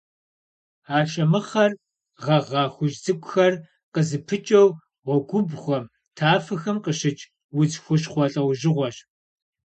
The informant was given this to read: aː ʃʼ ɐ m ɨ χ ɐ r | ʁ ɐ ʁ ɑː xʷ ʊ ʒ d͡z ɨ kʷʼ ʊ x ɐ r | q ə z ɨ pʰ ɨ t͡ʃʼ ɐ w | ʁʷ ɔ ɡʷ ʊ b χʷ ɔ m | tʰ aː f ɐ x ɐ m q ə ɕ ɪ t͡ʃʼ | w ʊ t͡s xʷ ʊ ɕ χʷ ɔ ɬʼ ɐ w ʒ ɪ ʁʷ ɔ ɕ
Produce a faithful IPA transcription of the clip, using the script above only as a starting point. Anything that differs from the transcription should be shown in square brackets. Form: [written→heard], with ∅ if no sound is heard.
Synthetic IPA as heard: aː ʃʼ ɐ m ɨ χ ɐ r | ʁ ɐ ʁ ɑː xʷ ʊ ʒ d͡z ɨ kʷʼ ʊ x ɐ r | q ə z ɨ pʰ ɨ t͡ʃʼ ɐ w | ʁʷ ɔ ɡʷ ʊ b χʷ ɔ m | tʰ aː f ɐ x ɐ m q ə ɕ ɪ t͡ʃʼ | w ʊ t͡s xʷ ʊ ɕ χʷ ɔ ɬʼ ɐ w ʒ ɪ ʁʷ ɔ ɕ